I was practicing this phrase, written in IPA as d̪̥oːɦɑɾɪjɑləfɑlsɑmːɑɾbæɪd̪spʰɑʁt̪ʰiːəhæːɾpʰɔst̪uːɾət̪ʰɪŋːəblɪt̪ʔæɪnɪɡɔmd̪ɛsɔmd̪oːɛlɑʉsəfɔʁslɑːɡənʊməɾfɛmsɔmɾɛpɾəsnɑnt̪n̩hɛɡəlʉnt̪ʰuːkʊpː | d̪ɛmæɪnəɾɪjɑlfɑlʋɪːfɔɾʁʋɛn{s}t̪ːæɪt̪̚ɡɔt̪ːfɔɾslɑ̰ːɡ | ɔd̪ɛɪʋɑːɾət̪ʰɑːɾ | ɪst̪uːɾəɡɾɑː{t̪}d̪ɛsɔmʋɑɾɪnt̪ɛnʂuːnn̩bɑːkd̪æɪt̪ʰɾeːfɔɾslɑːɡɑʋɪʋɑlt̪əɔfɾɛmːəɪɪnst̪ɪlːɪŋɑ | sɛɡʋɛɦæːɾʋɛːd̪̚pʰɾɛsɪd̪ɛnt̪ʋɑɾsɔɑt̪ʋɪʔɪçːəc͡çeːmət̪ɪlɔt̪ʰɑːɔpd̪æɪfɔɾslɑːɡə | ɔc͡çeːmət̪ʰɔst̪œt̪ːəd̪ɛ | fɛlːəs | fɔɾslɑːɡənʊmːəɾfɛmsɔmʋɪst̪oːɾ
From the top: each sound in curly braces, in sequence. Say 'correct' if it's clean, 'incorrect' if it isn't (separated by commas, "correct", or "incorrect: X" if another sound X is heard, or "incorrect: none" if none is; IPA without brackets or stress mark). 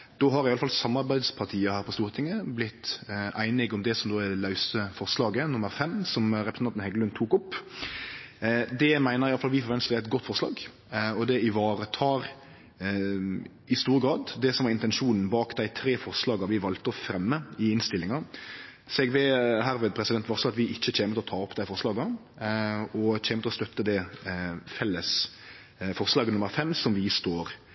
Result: correct, incorrect: d̪